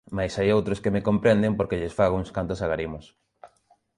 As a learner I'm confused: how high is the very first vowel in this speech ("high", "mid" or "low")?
low